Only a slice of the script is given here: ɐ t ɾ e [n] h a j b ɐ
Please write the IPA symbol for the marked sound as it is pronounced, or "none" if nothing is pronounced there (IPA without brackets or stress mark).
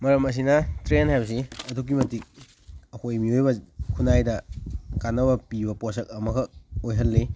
n